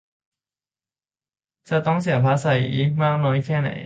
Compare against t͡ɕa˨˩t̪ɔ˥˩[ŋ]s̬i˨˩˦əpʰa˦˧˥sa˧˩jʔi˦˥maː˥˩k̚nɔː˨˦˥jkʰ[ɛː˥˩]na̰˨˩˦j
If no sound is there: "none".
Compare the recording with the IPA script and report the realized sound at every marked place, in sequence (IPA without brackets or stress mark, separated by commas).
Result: ŋ, ɛː˥˩